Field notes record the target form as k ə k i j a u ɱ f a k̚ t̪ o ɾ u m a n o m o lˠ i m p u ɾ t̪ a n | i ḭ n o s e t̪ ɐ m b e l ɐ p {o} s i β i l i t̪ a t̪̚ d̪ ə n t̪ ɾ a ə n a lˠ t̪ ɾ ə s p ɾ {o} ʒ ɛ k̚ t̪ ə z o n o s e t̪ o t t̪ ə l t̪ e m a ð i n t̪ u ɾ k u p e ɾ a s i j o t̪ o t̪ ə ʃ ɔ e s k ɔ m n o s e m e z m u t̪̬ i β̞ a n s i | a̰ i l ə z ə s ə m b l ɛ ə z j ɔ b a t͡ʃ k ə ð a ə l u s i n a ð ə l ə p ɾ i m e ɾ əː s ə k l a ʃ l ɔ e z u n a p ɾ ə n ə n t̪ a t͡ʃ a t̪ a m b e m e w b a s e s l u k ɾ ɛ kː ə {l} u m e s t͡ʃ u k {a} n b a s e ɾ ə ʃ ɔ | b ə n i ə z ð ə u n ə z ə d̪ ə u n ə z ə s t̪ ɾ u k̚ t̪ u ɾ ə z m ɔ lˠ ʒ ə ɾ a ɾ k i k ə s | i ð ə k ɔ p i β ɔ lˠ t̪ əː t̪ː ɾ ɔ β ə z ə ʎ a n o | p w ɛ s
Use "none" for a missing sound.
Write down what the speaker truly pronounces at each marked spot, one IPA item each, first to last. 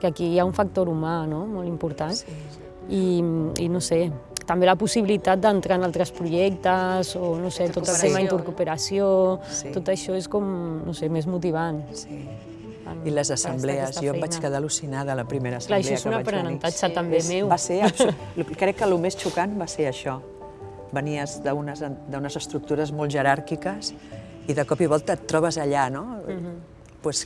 u, u, l, a

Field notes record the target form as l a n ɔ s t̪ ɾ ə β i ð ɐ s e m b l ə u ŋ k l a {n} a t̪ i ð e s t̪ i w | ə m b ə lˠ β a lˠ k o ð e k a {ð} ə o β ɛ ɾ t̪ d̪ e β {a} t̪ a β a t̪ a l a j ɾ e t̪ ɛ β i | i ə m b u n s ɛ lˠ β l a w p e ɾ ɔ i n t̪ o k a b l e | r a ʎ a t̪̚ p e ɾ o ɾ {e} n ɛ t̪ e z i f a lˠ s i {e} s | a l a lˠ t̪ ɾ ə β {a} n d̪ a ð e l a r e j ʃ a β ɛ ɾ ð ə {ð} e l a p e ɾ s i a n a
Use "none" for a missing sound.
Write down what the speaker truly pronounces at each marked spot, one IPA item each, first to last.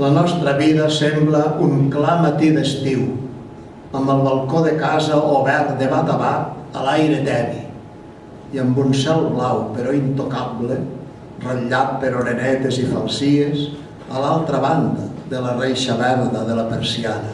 m, z, a, e, e, a, ð

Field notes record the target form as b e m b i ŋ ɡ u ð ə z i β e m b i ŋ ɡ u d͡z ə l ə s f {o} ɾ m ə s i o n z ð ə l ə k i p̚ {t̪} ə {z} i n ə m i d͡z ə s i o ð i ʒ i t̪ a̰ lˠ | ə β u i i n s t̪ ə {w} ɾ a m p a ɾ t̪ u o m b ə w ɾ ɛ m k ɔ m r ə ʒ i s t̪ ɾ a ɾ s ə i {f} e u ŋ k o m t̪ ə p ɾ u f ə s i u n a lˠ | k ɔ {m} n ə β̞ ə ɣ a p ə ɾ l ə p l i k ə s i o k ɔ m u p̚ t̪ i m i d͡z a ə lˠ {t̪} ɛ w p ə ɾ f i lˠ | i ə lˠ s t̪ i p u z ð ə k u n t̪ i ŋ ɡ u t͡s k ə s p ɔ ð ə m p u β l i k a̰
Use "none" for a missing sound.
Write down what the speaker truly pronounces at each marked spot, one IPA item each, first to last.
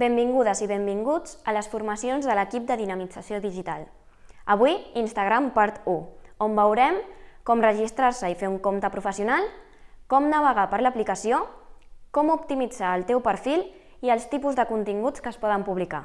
u, d̪, ð, ɣ, f, m, t̪

